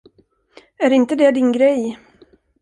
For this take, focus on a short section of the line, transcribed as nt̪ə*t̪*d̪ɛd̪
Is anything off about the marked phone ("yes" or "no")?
yes